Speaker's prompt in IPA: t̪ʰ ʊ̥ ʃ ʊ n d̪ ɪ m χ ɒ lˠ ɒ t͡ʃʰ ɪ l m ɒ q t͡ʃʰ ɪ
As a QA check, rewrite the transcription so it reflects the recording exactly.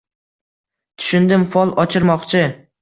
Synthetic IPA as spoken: t̪ʰ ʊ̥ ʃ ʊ n d̪ ɪ m f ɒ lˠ ɒ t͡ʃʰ ɪ ɾ m ɒ q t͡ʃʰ ɪ